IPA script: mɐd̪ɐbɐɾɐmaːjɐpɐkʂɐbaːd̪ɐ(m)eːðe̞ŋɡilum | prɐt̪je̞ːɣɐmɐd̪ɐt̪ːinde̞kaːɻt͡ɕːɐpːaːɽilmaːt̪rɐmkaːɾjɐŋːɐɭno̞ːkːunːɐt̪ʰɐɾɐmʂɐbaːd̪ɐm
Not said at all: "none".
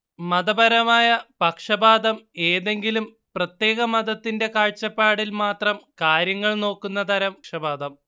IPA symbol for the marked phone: m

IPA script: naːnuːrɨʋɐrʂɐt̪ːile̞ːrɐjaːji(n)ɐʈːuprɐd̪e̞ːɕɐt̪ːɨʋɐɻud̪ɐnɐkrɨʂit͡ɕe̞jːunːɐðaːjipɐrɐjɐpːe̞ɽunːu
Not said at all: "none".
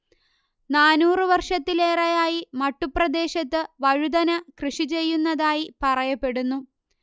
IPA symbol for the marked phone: m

